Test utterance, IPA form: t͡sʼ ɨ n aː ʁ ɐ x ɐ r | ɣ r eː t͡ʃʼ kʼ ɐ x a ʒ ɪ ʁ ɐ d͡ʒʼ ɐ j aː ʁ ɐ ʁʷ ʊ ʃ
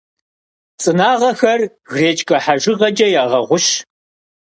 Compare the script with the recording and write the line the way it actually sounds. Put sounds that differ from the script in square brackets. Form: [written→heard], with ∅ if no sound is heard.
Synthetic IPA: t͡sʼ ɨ n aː ʁ ɐ x ɐ r | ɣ r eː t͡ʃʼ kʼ ɐ [x→ħ] a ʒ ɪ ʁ ɐ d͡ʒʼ ɐ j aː ʁ ɐ ʁʷ ʊ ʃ

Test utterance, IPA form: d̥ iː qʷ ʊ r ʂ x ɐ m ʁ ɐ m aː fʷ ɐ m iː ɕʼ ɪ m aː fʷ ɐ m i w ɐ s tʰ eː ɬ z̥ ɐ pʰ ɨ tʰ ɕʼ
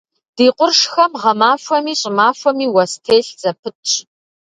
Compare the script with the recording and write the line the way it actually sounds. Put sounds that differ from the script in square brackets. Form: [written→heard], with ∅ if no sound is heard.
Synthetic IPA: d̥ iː qʷ ʊ r ʂ x ɐ m ʁ ɐ m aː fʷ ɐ m iː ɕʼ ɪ m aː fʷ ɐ m [i→iː] w ɐ s tʰ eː ɬ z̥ ɐ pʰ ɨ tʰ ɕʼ

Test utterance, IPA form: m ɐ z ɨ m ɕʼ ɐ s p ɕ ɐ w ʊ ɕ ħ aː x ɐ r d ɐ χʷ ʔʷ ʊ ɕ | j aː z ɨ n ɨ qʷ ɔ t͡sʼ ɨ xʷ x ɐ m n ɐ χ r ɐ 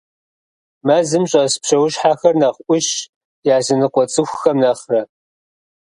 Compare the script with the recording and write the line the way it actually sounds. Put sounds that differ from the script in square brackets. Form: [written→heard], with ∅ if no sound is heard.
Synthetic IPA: m ɐ z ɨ m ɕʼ ɐ s p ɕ ɐ w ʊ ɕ ħ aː x ɐ r [d→n] ɐ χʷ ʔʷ ʊ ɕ | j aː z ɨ n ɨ qʷ ɔ t͡sʼ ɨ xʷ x ɐ m n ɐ χ r ɐ

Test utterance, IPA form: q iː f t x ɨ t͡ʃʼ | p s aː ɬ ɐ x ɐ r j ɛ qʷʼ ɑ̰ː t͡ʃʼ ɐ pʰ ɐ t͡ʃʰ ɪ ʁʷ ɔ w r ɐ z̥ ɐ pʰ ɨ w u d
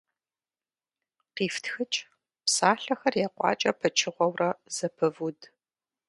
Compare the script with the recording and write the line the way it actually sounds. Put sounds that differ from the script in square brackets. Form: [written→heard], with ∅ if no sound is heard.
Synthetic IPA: q iː f t x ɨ t͡ʃʼ | p s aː ɬ ɐ x ɐ r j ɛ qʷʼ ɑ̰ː t͡ʃʼ ɐ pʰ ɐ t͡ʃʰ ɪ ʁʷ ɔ w r ɐ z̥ ɐ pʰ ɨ [w→v] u d

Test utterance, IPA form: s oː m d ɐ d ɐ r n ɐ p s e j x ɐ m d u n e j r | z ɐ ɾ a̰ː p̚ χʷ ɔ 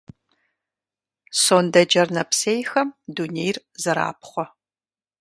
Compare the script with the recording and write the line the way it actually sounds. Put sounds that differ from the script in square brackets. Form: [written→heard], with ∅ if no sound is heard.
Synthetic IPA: s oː [m→n] d ɐ [d→d͡ʒ] ɐ r n ɐ p s e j x ɐ m d u n e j r | z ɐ ɾ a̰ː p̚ χʷ ɔ

